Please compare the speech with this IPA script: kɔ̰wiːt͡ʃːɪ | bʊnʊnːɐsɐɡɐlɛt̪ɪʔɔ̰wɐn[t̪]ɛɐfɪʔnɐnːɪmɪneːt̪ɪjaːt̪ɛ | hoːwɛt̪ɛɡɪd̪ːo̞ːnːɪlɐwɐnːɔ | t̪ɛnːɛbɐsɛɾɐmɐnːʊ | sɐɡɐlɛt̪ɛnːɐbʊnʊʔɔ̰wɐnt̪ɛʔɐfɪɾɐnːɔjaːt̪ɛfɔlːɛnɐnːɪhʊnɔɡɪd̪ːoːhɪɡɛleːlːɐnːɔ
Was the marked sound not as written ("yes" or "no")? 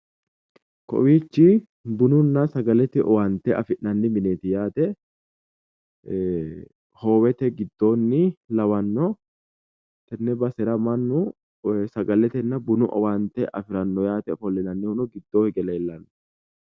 no